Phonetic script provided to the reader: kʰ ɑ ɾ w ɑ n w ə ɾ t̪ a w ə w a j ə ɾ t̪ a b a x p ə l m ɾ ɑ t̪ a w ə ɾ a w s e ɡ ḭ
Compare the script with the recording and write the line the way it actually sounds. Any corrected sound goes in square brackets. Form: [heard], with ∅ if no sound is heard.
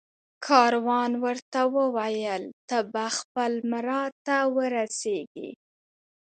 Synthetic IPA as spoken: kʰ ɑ ɾ w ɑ n w ə ɾ t̪ a w ə w a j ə [l] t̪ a b a x p ə l m ɾ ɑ t̪ a w ə ɾ a [∅] s e ɡ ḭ